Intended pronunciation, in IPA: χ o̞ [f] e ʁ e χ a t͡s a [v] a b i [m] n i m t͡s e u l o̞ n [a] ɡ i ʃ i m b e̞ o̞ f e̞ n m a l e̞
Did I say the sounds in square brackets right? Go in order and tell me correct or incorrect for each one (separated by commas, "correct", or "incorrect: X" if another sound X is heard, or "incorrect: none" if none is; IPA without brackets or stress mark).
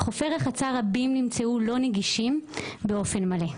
correct, incorrect: ʁ, correct, incorrect: e